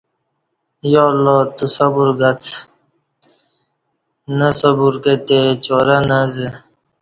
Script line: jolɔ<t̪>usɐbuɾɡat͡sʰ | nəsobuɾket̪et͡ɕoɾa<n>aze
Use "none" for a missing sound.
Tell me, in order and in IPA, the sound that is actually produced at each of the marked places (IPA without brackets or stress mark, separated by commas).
t̪, n